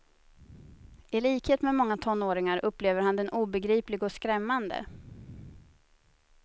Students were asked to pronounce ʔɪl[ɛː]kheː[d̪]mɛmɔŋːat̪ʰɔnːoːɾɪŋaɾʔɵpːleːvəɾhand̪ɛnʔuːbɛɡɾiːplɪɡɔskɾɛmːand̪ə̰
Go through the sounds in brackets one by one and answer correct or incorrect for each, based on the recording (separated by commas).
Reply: incorrect, incorrect